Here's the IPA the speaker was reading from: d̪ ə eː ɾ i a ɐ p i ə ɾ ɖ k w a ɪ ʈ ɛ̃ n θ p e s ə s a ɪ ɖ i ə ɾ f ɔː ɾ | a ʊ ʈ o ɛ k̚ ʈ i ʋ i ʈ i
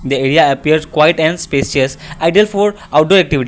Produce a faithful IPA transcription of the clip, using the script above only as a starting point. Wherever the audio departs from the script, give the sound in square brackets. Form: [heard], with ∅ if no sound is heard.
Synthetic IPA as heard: d̪ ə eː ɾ i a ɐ p i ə ɾ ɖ k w a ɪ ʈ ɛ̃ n [s] p e s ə s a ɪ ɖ i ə [l] f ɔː ɾ | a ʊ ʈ o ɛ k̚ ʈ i ʋ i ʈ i

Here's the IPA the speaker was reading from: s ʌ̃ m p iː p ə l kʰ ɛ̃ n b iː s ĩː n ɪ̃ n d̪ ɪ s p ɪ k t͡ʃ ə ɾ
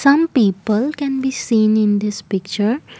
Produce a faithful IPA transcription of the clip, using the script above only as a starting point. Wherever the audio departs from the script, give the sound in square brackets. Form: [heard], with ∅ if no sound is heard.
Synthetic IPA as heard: s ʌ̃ m p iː p ə l [k] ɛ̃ n b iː s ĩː n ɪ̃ n d̪ ɪ s p ɪ k t͡ʃ ə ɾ

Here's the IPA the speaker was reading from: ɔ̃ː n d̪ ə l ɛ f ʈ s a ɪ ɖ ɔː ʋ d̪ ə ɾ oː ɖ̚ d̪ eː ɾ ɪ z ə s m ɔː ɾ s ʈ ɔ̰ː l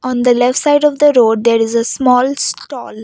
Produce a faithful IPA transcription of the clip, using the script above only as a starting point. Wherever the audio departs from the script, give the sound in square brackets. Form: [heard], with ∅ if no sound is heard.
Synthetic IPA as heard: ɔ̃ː n d̪ ə l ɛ f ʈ s a ɪ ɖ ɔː ʋ d̪ ə ɾ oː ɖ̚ d̪ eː ɾ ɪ z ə s m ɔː [l] s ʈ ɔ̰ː l

